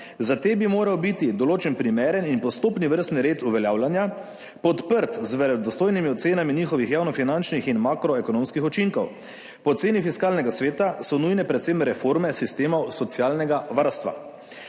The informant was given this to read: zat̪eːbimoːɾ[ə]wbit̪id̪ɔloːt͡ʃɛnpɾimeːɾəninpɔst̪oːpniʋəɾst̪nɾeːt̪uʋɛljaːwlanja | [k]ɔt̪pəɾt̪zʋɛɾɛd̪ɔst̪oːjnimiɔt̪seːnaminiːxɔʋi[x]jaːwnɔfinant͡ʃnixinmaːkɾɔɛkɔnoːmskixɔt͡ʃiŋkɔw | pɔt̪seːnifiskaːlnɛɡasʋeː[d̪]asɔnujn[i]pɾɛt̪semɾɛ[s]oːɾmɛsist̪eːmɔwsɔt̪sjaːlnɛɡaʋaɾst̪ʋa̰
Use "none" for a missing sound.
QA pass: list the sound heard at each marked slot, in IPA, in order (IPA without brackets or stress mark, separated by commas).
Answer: a, p, x, t̪, ɛ, f